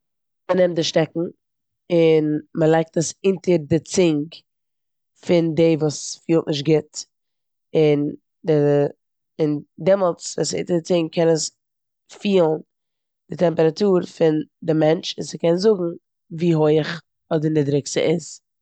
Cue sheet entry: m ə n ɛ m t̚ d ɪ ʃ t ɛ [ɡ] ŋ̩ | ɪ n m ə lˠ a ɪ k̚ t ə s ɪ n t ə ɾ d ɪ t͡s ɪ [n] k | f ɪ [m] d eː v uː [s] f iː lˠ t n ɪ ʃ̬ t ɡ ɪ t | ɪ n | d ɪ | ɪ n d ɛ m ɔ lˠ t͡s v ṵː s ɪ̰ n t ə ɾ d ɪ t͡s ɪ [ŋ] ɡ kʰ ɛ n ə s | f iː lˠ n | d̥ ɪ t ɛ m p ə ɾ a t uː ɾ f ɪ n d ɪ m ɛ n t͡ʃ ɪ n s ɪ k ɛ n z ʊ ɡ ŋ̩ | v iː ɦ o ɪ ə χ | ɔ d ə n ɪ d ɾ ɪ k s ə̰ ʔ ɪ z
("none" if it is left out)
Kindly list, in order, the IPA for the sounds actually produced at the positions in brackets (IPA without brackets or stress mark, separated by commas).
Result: k, ŋ, n, s, ŋ